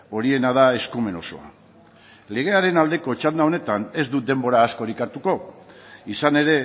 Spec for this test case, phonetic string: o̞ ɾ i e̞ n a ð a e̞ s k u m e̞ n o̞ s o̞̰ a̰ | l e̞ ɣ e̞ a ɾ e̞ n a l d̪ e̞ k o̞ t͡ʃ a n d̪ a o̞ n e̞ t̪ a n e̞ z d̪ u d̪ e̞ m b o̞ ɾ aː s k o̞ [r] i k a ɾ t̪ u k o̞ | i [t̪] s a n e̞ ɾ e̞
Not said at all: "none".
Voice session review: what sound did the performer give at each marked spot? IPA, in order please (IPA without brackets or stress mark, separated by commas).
ɾ, none